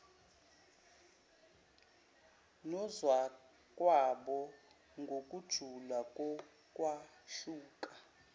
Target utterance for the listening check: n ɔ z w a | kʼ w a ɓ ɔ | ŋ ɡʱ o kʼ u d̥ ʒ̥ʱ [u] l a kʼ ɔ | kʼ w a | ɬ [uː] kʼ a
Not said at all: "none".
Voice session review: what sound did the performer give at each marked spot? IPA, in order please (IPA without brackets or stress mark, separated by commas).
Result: u, uː